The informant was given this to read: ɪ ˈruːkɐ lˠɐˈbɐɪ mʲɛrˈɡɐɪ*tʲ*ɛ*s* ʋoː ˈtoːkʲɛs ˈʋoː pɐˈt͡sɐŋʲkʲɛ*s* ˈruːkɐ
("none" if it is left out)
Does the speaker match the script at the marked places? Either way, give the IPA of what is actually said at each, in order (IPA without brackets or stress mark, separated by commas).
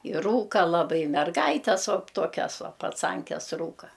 tʲ, s, s